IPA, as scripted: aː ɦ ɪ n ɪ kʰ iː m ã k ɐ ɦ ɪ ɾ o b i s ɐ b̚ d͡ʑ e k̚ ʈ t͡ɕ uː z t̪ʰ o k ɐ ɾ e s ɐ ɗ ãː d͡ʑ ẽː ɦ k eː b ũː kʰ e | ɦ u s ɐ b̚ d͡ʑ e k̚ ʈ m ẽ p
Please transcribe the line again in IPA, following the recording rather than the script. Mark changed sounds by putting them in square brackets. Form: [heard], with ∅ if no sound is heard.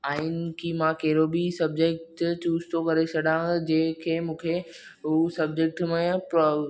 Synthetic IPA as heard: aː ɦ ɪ n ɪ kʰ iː m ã k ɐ ɦ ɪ ɾ o b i s ɐ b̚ d͡ʑ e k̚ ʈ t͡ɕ uː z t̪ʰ o k ɐ ɾ e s ɐ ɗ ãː d͡ʑ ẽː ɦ [kʰ] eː [m] ũː kʰ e | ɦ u s ɐ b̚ d͡ʑ e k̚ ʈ m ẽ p

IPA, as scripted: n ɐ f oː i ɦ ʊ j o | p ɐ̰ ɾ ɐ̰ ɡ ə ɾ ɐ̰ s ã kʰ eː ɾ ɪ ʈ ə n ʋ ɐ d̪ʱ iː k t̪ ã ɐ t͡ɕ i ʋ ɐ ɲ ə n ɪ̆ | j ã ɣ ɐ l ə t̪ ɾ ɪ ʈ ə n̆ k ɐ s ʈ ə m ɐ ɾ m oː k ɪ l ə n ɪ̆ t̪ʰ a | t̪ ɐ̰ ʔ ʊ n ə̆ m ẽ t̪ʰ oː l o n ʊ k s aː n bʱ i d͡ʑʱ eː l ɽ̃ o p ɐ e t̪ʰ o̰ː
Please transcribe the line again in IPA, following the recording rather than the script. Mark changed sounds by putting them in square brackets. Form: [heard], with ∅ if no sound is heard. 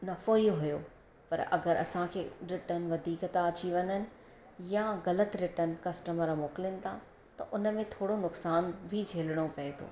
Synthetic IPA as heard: n ɐ f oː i ɦ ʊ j o | p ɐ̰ ɾ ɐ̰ ɡ ə ɾ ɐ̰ s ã kʰ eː ɾ ɪ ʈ ə n ʋ ɐ d̪ʱ iː k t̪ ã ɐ t͡ɕ i ʋ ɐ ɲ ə n ɪ̆ | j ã ɣ ɐ l ə t̪ ɾ ɪ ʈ ə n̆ k ɐ s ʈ ə m [ə] ɾ m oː k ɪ l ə n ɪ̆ t̪ʰ a | t̪ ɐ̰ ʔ ʊ n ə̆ m ẽ t̪ʰ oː [ɽ] o n ʊ k s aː n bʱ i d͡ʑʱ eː l ɽ̃ o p ɐ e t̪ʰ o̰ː

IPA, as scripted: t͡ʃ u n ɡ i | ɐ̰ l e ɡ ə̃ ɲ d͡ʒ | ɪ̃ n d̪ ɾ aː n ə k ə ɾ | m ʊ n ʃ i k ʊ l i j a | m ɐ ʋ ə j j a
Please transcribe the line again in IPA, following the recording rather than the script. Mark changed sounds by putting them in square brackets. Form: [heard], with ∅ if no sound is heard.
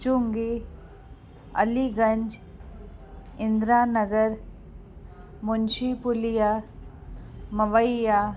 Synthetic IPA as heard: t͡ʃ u [ŋ] ɡ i | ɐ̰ l [i] ɡ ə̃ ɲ d͡ʒ | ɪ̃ n d̪ ɾ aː n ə [ɡ] ə ɾ | m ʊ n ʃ i [p] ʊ l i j a | m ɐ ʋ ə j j a

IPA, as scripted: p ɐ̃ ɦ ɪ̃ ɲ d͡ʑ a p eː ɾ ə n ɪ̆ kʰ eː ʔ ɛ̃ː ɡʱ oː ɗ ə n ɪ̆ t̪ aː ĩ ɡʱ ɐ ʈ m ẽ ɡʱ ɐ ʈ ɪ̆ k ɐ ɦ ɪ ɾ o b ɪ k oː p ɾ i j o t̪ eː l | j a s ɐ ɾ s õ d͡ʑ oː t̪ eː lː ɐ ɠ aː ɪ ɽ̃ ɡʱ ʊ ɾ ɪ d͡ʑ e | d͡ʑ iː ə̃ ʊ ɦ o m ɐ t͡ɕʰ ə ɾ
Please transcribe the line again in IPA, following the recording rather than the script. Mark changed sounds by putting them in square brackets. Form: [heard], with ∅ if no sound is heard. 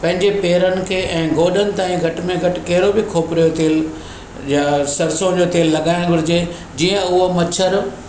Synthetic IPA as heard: p ɐ̃ ɦ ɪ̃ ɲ d͡ʑ [e] p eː ɾ ə n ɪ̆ kʰ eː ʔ ɛ̃ː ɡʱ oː ɗ ə n ɪ̆ t̪ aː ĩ ɡʱ ɐ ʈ m ẽ ɡʱ ɐ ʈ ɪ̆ k ɐ ɦ ɪ ɾ o b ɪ [kʰ] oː p ɾ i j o t̪ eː l | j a s ɐ ɾ s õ d͡ʑ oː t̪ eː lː ɐ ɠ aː ɪ ɽ̃ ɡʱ ʊ ɾ ɪ d͡ʑ e | d͡ʑ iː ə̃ ʊ ɦ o m ɐ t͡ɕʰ ə ɾ

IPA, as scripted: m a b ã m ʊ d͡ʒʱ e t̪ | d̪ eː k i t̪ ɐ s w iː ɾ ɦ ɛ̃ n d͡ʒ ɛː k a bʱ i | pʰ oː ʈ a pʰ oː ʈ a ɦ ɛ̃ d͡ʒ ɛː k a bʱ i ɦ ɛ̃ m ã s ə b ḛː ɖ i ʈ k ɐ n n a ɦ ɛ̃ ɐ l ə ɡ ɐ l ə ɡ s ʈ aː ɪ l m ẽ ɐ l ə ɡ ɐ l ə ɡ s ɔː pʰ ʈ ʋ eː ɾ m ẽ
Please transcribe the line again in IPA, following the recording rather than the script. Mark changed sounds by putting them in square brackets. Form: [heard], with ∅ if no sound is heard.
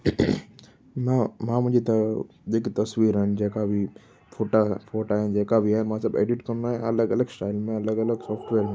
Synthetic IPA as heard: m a [m] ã m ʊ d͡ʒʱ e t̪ | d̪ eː k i t̪ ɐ s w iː ɾ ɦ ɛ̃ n d͡ʒ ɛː k a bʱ i | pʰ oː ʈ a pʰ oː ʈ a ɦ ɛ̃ d͡ʒ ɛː k a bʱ i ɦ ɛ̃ m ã s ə b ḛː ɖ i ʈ k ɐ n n a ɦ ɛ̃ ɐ l ə ɡ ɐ l ə ɡ s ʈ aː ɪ l m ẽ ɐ l ə ɡ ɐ l ə ɡ s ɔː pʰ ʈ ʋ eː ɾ m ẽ

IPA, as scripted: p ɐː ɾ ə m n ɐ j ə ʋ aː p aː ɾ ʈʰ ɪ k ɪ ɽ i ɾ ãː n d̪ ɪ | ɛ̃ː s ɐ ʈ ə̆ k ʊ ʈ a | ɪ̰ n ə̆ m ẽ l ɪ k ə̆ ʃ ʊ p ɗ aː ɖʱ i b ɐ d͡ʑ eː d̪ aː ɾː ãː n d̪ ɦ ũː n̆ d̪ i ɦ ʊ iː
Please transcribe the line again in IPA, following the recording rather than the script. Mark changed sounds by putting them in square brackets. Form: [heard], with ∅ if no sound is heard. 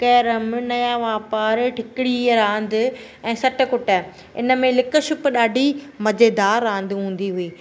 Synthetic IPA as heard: [k] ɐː ɾ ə m n ɐ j [a] ʋ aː p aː ɾ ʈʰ ɪ k ɪ ɽ i ɾ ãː n d̪ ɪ | ɛ̃ː s ɐ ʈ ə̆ k ʊ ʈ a | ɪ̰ n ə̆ m ẽ l ɪ k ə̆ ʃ ʊ p ɗ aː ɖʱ i [m] ɐ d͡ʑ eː d̪ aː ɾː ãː n d̪ ɦ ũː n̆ d̪ i ɦ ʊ iː

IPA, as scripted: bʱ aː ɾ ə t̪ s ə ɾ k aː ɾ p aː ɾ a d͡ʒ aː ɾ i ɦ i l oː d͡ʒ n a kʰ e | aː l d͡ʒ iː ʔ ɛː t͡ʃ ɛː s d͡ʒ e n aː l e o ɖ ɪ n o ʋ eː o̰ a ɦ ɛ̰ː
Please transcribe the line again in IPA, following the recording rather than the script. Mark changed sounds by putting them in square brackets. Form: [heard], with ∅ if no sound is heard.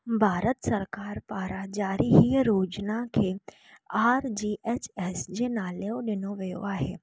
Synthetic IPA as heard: bʱ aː ɾ ə t̪ s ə ɾ k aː ɾ p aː ɾ a d͡ʒ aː ɾ i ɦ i [ɾ] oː d͡ʒ n a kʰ e | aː [ɾ] d͡ʒ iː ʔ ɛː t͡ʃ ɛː s d͡ʒ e n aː l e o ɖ ɪ n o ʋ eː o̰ a ɦ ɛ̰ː

